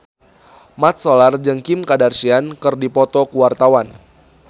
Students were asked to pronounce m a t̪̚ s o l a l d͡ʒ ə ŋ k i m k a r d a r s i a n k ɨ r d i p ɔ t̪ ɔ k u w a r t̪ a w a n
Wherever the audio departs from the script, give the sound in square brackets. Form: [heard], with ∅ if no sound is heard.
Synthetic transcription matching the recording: m a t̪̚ s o l a [r] d͡ʒ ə ŋ k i m k a [∅] d a r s i a n k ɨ r d i p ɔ t̪ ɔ k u w a r t̪ a w a n

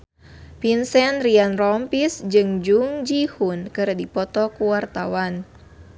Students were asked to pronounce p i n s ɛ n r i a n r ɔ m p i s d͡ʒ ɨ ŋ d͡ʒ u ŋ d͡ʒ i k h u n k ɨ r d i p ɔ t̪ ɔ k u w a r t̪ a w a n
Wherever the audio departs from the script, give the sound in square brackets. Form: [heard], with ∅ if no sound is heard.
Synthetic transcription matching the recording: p i n s ɛ n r i a n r ɔ m p i s d͡ʒ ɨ ŋ d͡ʒ u ŋ d͡ʒ i [∅] h u n k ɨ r d i p ɔ t̪ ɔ k u w a r t̪ a w a n

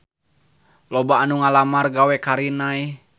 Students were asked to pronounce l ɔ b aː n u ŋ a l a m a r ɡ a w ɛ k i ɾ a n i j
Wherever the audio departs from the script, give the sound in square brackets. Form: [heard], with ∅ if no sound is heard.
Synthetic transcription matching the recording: l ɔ b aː n u ŋ a l a m a r ɡ a w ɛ k [a] ɾ [i] n [a] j

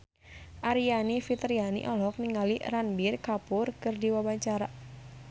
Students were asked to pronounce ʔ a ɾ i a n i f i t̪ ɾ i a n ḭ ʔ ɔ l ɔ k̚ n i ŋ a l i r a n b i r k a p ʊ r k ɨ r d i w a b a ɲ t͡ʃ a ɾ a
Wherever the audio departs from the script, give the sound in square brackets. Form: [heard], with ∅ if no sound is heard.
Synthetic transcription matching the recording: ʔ a ɾ i a n i f i t̪ ɾ i a n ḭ ʔ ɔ l ɔ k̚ n i ŋ a l i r a n b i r k a p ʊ r k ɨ r d i w a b a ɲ t͡ʃ a ɾ a

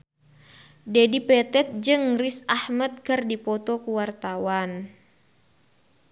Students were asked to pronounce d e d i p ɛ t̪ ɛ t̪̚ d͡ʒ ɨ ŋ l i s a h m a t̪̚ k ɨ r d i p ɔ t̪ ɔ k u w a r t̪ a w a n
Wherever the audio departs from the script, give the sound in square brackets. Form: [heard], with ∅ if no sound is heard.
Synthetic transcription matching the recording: d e d i p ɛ t̪ ɛ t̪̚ d͡ʒ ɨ ŋ [r] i s a h m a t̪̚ k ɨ r d i p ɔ t̪ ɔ k u w a r t̪ a w a n

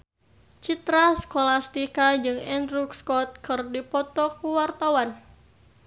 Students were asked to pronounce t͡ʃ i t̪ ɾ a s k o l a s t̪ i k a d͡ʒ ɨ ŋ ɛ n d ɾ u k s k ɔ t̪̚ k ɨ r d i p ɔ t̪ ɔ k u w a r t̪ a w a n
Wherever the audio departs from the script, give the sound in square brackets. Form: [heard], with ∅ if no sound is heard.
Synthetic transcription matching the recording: t͡ʃ i t̪ ɾ a s k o l a s t̪ i k a d͡ʒ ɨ ŋ ɛ n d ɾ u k s k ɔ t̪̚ k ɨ r d i p ɔ t̪ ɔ k u w a r t̪ a w a n

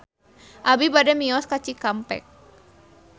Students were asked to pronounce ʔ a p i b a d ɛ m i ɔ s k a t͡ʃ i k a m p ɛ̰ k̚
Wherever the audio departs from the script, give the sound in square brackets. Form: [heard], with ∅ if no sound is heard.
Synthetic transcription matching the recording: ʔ a [b] i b a d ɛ m i ɔ s k a t͡ʃ i k a m p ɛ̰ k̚

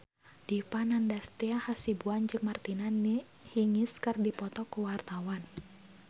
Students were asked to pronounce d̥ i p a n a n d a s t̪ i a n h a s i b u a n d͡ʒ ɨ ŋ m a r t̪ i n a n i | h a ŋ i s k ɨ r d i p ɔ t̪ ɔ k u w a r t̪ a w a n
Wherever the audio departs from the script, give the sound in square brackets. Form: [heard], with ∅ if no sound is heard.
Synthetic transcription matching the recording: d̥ i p a n a n d a s t̪ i a [∅] h a s i b u a n d͡ʒ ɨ ŋ m a r t̪ i n a n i | h [i] ŋ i s k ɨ r d i p ɔ t̪ ɔ k u w a r t̪ a w a n

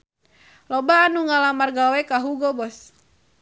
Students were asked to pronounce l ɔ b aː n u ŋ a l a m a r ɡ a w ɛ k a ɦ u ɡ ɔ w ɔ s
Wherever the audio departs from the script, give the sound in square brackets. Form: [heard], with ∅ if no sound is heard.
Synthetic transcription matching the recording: l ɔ b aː n u ŋ a l a m a r ɡ a w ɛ k a ɦ u ɡ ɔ [b] ɔ s

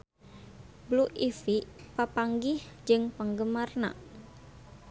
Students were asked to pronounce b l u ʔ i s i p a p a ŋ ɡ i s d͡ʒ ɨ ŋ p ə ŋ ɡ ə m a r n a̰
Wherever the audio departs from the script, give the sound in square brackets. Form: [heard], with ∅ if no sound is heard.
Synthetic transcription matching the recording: b l u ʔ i [f] i p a p a ŋ ɡ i [h] d͡ʒ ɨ ŋ p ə ŋ ɡ ə m a r n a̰

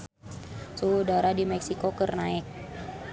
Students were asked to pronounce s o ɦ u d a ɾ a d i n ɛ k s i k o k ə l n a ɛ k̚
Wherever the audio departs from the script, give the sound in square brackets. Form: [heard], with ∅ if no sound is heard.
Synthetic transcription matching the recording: s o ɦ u d a ɾ a d i [m] ɛ k s i k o k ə [r] n a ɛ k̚

